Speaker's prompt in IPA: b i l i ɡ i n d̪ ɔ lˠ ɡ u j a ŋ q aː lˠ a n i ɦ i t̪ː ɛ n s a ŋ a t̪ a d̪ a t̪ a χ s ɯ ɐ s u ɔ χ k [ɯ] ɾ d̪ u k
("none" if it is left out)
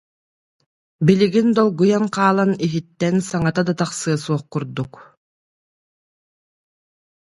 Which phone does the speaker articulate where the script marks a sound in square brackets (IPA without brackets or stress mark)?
u